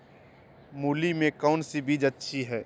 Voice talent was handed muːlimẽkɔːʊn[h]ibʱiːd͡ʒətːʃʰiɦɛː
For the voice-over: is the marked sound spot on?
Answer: no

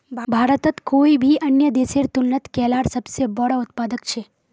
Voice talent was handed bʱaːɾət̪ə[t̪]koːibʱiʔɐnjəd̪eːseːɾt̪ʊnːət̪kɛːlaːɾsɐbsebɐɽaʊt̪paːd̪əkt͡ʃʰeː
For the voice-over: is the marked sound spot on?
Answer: yes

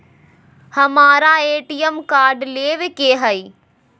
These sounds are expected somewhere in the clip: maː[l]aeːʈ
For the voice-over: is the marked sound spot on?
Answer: no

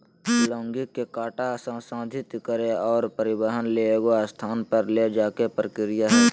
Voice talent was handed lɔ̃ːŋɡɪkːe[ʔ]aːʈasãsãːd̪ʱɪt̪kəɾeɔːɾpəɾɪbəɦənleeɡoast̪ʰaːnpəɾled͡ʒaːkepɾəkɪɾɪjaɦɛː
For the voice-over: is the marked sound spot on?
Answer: no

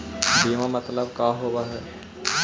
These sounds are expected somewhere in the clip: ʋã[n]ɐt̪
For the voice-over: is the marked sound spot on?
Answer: no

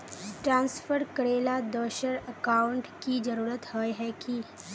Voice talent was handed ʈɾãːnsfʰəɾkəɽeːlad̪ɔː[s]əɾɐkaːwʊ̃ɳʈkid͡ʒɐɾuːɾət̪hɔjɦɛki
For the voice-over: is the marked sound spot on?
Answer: no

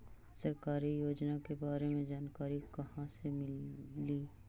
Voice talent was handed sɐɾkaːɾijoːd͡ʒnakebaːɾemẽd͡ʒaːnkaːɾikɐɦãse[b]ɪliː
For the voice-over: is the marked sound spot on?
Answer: no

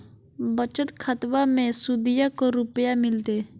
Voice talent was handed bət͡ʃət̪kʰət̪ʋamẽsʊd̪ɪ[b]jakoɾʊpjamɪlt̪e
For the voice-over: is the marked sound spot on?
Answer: no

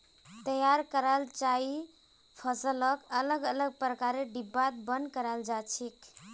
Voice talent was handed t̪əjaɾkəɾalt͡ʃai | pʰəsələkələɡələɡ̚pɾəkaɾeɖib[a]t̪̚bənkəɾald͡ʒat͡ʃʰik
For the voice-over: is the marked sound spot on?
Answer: yes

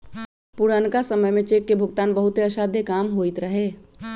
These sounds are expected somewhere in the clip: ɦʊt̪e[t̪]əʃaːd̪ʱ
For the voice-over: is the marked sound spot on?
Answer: no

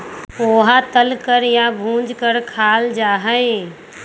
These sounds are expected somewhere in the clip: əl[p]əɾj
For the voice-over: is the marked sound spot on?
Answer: no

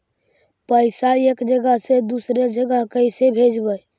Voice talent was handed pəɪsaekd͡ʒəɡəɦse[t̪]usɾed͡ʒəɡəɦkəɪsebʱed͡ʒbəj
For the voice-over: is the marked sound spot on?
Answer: no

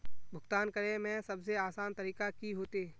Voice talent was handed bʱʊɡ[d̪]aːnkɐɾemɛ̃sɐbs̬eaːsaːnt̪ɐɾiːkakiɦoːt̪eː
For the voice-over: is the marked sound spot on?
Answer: no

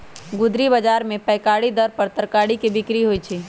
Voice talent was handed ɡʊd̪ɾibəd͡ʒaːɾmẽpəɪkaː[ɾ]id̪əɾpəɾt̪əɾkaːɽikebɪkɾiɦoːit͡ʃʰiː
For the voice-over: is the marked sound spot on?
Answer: no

